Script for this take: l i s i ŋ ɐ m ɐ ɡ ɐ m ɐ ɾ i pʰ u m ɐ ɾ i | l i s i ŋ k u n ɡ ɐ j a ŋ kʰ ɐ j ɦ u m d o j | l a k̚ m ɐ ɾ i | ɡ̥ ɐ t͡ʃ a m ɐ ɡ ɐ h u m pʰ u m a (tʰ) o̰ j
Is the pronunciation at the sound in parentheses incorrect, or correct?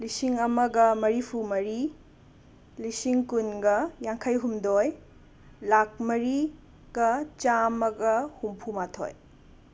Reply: correct